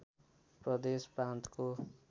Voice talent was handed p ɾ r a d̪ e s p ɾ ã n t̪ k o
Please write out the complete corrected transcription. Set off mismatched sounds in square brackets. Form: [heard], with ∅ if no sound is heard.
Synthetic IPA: p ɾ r [ʌ] d̪ e s p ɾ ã n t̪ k o

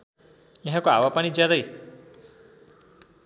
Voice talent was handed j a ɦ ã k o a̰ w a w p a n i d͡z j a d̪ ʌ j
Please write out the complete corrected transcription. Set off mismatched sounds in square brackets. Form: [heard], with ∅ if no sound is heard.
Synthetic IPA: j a ɦ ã k o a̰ w a [∅] p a n i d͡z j a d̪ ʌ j

